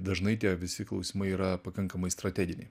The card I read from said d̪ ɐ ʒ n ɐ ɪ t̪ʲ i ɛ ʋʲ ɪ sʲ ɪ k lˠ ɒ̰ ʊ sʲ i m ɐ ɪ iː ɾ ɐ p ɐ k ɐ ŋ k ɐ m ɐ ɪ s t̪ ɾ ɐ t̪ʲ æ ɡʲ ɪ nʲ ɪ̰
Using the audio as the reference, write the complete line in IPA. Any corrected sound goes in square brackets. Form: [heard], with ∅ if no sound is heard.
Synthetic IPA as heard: d̪ ɐ ʒ n ɐ ɪ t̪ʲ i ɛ ʋʲ ɪ sʲ ɪ k lˠ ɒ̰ ʊ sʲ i m ɐ ɪ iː ɾ ɐ p ɐ k ɐ ŋ k ɐ m ɐ ɪ s t̪ ɾ ɐ t̪ʲ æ ɡʲ ɪ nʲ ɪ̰